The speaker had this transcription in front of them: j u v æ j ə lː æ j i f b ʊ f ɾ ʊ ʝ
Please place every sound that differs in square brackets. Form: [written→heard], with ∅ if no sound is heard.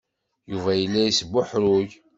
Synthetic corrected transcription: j u v æ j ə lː æ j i [f→s] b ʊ [f→ħ] ɾ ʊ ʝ